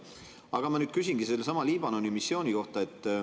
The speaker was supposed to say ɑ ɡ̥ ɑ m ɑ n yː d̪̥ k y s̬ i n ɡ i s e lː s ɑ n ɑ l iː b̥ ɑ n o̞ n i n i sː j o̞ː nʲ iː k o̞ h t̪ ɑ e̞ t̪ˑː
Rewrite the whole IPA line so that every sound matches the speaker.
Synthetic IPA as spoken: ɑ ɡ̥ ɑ m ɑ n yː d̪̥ k y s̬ i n ɡ i s e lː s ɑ m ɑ l iː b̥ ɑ n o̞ n i m i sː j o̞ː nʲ i k o̞ h t̪ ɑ e̞ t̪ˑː